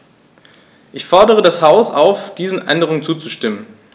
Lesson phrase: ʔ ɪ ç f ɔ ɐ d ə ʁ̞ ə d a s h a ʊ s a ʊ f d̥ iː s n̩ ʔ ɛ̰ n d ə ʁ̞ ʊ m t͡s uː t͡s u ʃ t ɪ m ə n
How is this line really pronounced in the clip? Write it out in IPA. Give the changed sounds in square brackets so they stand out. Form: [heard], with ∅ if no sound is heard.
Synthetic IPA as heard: ʔ ɪ ç f ɔ ɐ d ə ʁ̞ ə d a s h a ʊ s a ʊ f d̥ iː [z] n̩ ʔ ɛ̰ n d ə ʁ̞ ʊ [ŋ] t͡s uː t͡s u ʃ t ɪ m ə n